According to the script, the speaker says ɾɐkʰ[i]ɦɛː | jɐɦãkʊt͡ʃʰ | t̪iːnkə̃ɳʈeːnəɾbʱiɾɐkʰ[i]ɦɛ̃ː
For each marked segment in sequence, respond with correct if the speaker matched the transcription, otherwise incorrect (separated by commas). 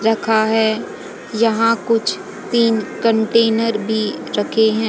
incorrect, incorrect